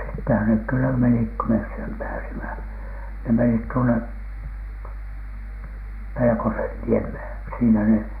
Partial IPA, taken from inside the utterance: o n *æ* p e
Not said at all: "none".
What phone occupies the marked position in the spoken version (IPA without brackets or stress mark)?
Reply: e